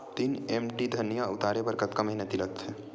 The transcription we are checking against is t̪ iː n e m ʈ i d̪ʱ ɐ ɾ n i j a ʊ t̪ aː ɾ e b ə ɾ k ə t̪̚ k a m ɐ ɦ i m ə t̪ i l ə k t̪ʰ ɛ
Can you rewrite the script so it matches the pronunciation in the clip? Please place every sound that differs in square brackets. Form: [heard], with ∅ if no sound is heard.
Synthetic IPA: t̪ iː n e m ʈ i d̪ʱ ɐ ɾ n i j a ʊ t̪ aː ɾ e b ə ɾ k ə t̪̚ k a m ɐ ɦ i [n] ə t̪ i l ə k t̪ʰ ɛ

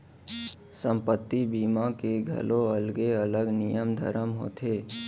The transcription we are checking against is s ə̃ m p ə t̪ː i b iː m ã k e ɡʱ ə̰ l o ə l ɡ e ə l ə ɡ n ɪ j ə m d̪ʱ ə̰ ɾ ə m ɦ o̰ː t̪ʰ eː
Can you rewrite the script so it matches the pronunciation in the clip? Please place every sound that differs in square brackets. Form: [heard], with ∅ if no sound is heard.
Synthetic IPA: s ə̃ m p ə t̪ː i b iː m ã k e ɡʱ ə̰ l o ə l ɡ e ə l ə ɡ n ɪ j ə m d̪ʱ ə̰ ɾ ə m ɦ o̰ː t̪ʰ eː

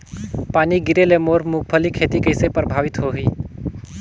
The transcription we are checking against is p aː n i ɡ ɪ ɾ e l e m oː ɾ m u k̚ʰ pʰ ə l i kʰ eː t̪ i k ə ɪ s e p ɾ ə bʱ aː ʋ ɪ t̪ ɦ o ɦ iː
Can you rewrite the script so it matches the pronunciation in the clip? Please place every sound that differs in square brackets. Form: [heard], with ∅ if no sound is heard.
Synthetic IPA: p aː n i ɡ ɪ ɾ e l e m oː ɾ m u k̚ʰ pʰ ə l i kʰ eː t̪ i k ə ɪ s e p ɾ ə bʱ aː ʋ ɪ t̪ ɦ o ɦ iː

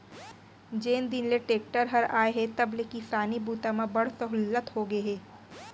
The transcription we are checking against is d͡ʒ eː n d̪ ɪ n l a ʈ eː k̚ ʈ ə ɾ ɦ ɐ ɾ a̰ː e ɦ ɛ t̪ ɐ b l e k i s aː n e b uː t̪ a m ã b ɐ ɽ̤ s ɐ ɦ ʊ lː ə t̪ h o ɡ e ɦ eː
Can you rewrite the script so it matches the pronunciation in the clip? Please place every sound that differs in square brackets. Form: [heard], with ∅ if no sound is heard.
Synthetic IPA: d͡ʒ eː n d̪ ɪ n l [e] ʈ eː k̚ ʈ ə ɾ ɦ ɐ ɾ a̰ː e ɦ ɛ t̪ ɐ b l e k i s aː n [i] b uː t̪ a m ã b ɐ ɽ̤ s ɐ ɦ ʊ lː ə t̪ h o ɡ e ɦ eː

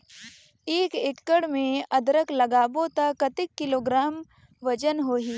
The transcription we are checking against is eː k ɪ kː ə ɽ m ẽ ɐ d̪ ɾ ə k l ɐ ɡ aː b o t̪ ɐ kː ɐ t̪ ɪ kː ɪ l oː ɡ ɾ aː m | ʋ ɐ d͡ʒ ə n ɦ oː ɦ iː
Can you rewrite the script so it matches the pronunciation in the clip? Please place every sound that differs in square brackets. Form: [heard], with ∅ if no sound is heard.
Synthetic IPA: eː k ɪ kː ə ɽ m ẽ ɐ d̪ ɾ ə k l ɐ ɡ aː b o t̪ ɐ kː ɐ t̪ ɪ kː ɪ l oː ɡ ɾ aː m | ʋ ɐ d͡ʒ ə n ɦ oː ɦ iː

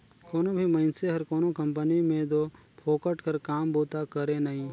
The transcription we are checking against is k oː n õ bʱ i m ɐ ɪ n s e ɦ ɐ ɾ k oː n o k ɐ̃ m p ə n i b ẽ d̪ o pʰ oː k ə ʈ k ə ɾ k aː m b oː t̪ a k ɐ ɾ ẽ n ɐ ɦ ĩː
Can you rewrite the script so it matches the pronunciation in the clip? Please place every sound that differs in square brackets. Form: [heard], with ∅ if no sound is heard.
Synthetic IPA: k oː n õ bʱ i m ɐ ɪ n s e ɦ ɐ ɾ k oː n o k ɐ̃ m p ə n i [m] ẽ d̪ o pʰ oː k ə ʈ k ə ɾ k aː m b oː t̪ a k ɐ ɾ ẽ n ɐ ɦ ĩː

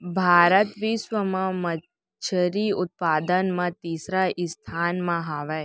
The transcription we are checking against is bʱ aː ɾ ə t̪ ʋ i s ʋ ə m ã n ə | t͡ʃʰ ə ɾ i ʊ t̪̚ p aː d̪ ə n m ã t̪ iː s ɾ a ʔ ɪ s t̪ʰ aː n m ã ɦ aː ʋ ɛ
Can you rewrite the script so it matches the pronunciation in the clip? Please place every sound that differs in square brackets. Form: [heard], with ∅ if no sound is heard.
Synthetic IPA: bʱ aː ɾ ə t̪ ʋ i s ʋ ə m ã [m] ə | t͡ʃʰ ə ɾ i ʊ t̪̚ p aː d̪ ə n m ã t̪ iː s ɾ a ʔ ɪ s t̪ʰ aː n m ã ɦ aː ʋ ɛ

